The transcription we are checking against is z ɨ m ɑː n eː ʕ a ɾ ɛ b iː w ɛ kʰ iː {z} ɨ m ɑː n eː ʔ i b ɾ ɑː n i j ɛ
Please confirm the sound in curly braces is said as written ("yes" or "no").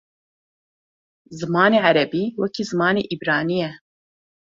yes